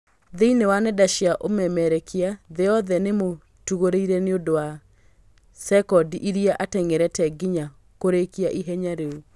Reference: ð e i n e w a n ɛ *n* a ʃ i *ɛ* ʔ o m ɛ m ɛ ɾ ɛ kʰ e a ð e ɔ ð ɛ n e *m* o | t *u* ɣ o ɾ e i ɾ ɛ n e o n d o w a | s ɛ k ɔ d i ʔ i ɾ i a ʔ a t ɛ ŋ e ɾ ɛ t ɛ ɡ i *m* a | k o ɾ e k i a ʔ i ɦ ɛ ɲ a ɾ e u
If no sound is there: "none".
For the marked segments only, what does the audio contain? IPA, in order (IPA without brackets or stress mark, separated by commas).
d, a, m, u, ɲ